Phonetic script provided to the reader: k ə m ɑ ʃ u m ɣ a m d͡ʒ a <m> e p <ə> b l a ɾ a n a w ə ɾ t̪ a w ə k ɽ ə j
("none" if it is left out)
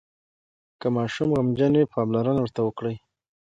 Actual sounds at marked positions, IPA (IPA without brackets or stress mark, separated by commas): n, ɑ